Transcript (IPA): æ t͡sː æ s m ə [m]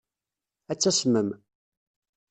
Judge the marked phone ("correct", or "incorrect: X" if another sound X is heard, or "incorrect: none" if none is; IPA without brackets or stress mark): correct